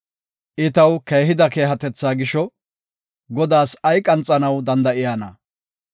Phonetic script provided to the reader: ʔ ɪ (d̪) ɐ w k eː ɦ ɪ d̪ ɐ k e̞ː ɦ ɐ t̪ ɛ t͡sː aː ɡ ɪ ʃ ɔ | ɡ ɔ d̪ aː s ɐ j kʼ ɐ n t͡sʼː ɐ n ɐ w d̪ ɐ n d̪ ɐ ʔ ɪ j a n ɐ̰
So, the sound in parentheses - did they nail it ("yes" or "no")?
no